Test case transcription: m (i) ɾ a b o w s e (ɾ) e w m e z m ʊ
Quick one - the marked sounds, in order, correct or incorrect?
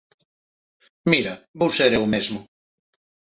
correct, correct

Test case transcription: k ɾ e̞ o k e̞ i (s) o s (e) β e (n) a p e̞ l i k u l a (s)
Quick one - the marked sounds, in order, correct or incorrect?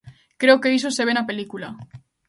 correct, correct, correct, incorrect

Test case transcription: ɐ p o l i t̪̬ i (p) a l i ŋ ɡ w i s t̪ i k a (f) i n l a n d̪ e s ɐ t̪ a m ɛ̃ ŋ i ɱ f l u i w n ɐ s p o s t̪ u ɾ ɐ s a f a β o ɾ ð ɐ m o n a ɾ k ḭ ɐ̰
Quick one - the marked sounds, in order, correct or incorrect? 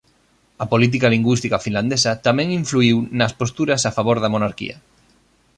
incorrect, correct

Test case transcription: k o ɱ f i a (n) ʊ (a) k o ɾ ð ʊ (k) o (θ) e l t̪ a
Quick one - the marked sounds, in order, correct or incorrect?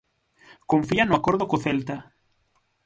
correct, correct, correct, correct

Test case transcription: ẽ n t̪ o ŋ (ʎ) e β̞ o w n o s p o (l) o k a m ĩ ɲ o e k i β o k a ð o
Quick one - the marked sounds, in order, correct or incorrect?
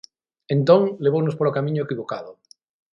incorrect, incorrect

